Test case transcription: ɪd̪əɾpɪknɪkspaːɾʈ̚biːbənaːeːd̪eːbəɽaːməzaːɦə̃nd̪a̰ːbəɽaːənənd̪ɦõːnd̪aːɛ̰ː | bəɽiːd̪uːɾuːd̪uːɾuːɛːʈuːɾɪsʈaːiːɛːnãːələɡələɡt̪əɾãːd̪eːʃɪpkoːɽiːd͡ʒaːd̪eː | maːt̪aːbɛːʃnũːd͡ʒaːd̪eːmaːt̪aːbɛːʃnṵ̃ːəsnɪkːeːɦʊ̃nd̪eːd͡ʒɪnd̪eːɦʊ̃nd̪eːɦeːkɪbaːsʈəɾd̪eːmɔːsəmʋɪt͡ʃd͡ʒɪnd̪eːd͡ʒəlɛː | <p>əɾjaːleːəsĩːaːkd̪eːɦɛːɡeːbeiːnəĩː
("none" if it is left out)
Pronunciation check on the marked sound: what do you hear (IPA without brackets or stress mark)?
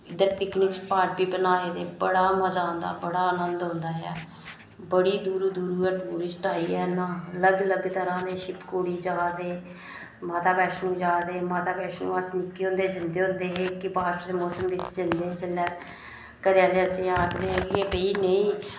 k